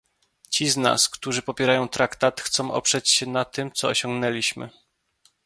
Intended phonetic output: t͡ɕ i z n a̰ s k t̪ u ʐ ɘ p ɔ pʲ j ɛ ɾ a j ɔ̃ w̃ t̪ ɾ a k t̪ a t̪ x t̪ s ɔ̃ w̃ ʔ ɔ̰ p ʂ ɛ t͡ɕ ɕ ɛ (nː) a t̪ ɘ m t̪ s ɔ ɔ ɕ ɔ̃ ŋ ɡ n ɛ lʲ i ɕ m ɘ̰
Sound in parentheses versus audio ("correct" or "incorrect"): incorrect